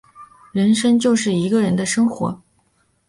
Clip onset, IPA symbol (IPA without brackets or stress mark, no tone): ɻ